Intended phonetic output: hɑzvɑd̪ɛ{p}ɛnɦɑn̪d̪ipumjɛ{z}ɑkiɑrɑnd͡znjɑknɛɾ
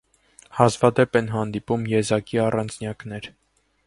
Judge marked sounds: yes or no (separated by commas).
yes, yes